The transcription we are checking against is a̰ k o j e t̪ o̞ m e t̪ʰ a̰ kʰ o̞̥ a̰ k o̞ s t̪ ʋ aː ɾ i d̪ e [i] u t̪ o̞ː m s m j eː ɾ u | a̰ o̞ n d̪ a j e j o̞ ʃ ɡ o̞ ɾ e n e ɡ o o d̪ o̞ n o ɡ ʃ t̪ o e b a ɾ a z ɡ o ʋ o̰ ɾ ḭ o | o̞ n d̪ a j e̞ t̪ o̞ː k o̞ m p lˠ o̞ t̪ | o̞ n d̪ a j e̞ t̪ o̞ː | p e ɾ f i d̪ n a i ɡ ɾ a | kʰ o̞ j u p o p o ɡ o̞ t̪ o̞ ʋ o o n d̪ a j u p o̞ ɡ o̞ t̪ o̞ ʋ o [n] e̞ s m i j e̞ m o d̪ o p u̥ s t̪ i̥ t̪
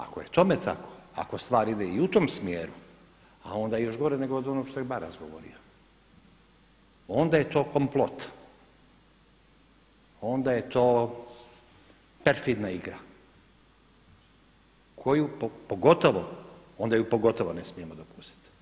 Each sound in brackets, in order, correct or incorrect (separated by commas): correct, correct